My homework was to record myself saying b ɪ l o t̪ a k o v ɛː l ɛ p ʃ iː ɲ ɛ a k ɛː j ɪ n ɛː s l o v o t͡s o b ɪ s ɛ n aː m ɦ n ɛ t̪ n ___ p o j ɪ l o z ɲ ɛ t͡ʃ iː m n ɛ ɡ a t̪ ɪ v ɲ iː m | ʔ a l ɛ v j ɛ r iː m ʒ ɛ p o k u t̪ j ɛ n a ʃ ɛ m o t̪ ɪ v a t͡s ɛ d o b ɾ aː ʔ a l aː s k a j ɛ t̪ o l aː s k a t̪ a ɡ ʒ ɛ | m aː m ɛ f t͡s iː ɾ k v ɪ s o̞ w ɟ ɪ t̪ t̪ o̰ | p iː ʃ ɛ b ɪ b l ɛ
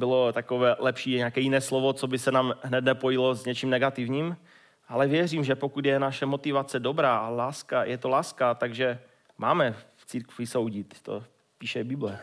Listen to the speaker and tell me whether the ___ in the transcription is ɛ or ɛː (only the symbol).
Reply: ɛ